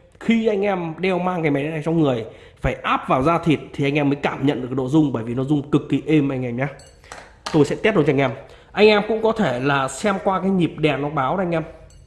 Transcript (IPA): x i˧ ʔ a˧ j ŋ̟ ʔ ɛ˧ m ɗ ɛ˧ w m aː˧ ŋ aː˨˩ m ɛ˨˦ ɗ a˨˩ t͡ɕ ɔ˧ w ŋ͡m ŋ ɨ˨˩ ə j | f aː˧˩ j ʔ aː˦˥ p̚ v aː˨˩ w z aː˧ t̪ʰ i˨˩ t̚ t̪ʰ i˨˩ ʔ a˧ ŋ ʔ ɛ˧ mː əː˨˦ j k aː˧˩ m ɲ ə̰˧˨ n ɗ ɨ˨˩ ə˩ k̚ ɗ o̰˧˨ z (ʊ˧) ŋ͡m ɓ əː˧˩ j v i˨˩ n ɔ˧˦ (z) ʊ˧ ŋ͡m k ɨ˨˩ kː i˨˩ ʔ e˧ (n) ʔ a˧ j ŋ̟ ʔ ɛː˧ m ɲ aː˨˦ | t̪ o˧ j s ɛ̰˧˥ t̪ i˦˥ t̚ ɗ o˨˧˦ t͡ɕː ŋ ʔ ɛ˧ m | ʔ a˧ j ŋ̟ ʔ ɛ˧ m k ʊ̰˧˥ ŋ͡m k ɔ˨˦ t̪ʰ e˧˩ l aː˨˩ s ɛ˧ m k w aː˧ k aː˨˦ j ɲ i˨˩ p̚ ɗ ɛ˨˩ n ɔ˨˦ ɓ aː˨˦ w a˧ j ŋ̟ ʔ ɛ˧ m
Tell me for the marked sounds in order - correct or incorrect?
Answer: correct, correct, incorrect

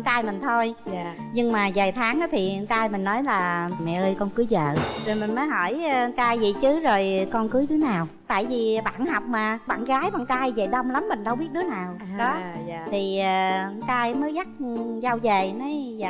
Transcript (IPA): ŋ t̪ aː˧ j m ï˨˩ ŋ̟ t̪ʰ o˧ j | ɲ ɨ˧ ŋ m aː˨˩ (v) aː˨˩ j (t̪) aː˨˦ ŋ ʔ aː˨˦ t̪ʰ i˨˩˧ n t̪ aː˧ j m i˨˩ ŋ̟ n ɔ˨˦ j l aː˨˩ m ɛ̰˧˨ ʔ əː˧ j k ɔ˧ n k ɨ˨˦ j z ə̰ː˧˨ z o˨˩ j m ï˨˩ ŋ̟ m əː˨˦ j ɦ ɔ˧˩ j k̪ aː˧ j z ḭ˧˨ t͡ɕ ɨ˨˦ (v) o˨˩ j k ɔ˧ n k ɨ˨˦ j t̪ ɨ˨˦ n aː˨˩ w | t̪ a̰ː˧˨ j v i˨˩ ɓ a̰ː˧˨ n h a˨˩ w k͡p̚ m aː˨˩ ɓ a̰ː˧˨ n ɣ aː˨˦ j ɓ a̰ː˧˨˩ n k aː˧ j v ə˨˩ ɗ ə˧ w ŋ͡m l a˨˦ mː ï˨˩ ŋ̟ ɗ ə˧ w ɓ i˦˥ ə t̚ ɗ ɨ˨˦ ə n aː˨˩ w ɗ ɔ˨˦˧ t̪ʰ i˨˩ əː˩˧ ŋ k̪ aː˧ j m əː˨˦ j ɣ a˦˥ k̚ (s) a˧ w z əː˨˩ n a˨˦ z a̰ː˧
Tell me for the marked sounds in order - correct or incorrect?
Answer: incorrect, incorrect, incorrect, incorrect

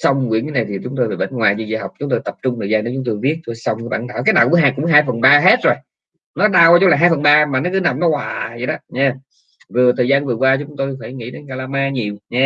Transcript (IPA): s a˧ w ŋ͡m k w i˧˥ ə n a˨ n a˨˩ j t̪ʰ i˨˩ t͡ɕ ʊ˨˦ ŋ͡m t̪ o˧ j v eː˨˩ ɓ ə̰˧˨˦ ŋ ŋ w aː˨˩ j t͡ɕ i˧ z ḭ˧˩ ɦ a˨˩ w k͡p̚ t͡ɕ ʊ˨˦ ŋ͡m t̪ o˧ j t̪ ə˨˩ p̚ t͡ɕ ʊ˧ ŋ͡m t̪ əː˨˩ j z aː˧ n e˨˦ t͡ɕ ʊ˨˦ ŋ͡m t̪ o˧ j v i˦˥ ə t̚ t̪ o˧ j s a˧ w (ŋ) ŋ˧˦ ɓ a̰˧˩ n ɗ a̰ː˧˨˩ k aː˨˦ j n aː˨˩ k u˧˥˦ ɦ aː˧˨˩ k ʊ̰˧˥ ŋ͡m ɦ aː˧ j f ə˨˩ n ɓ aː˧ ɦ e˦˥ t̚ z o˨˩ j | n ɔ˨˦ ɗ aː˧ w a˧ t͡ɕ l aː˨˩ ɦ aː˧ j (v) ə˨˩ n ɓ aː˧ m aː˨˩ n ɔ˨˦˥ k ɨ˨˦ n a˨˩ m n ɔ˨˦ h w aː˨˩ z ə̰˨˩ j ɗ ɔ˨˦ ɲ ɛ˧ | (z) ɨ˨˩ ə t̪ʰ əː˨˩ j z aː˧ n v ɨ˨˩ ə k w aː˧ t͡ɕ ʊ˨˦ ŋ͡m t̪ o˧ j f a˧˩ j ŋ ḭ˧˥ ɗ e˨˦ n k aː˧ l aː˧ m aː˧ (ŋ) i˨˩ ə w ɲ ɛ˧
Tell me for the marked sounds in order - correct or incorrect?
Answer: incorrect, incorrect, incorrect, incorrect

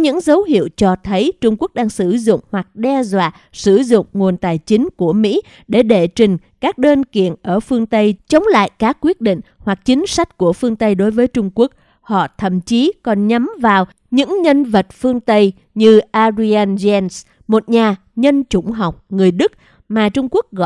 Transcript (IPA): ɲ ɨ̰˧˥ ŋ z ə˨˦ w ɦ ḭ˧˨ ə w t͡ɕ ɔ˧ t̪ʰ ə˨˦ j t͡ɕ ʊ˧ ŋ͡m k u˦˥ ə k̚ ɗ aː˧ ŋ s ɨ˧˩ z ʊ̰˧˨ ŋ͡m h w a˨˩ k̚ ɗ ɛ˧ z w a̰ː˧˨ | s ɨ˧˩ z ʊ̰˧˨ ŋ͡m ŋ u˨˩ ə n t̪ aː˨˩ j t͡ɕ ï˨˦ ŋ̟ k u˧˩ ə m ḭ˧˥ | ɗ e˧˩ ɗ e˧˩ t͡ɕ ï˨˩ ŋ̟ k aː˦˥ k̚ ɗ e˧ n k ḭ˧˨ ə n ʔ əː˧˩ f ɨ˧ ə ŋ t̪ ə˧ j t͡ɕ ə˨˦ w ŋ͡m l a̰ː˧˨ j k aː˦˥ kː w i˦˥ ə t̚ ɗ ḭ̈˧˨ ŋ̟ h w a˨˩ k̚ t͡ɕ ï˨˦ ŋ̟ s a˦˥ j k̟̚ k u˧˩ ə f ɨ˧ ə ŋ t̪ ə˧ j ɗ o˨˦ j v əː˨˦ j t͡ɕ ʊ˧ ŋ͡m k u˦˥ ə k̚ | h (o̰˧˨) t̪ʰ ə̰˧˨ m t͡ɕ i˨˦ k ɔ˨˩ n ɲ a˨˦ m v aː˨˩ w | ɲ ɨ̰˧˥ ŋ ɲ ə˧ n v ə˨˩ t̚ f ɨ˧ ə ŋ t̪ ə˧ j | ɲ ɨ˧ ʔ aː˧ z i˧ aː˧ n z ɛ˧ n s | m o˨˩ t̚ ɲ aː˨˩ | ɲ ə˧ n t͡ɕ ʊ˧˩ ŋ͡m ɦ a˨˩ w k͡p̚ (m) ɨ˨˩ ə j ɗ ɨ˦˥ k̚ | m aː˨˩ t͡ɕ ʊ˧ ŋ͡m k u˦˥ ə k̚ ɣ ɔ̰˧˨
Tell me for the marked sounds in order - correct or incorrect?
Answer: incorrect, incorrect

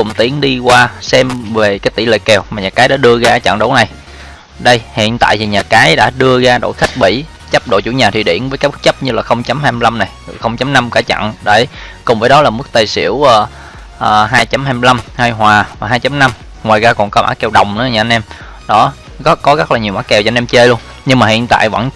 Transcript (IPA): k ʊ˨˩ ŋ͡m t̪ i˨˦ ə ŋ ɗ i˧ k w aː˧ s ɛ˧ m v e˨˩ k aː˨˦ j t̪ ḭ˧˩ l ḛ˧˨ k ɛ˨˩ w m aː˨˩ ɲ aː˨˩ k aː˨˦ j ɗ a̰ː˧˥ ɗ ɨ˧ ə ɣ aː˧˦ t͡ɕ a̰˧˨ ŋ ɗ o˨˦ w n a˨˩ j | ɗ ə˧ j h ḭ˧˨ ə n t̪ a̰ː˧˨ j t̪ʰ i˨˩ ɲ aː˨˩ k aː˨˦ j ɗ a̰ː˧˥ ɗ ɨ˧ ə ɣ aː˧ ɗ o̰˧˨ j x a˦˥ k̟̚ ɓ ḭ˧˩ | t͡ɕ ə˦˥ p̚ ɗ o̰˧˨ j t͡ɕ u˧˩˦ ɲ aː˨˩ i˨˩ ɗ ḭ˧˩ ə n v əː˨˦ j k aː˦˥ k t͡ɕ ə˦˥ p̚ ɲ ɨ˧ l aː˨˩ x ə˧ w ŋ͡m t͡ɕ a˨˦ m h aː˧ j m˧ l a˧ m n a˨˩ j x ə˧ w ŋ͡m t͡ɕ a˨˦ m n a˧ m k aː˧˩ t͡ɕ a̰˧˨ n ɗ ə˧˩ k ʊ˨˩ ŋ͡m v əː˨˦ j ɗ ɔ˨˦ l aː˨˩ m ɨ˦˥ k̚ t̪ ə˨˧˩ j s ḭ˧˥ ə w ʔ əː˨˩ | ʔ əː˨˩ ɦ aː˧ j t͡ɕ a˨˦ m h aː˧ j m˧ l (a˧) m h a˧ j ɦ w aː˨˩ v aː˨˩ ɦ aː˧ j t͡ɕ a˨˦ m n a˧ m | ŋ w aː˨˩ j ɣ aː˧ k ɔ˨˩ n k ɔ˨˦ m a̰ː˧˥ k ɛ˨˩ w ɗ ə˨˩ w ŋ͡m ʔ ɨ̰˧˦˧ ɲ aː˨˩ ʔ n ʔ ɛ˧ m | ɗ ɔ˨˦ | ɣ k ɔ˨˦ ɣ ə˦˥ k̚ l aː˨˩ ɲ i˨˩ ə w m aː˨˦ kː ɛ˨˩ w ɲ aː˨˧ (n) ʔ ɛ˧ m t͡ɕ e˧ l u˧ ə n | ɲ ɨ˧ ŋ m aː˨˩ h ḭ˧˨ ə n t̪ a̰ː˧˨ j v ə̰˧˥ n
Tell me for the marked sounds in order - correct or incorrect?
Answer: correct, correct

